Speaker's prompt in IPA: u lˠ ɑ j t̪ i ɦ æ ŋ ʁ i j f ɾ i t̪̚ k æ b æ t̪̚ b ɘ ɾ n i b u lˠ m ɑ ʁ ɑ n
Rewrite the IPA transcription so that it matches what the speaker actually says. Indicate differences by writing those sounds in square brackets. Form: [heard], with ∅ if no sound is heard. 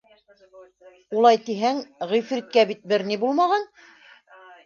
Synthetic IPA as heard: u lˠ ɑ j t̪ i ɦ æ ŋ ʁ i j f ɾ i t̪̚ k æ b [i] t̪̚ b ɘ ɾ n i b u lˠ m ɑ ʁ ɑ n